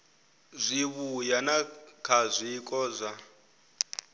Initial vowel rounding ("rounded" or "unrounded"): unrounded